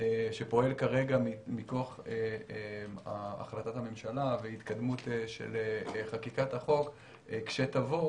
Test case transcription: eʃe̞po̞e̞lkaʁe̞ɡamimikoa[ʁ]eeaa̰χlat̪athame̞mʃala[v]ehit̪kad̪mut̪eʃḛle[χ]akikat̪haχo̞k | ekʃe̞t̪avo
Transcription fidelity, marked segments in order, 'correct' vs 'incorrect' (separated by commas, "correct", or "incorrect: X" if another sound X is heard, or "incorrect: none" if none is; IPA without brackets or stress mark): incorrect: χ, correct, correct